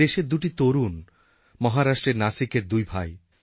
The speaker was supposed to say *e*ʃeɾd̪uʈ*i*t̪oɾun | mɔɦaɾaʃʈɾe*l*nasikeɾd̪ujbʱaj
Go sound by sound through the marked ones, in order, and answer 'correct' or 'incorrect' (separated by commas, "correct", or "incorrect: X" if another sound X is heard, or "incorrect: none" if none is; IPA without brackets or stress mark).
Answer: correct, correct, incorrect: ɾ